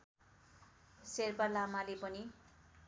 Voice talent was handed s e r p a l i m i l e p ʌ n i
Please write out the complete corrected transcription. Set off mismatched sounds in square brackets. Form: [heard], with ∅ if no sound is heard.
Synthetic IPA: s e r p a l [a] m [a] l e p ʌ n i

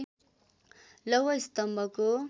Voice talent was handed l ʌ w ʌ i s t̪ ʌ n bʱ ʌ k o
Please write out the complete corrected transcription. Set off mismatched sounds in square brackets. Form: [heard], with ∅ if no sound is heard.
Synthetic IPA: l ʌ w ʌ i s t̪ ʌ [m] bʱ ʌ k o

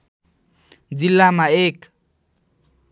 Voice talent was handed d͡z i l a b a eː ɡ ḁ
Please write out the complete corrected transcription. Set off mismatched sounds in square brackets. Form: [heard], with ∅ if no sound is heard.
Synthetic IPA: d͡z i l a [m] a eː [k] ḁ

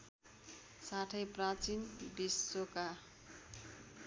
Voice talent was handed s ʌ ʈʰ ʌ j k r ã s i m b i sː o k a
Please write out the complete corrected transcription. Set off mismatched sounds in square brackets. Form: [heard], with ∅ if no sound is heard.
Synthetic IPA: s [a] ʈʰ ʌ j [p] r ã [t͡s] i [n] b i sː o k a

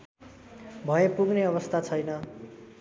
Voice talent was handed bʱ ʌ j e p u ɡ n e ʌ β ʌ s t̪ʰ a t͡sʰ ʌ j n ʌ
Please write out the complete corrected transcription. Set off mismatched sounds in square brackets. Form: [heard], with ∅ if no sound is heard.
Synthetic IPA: bʱ ʌ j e p u ɡ n e ʌ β ʌ s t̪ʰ a t͡sʰ ʌ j n ʌ

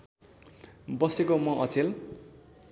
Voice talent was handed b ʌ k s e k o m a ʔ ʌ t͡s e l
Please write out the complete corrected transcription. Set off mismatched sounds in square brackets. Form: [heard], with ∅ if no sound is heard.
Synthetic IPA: b ʌ [∅] s e k o m [ʌ] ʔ ʌ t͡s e l

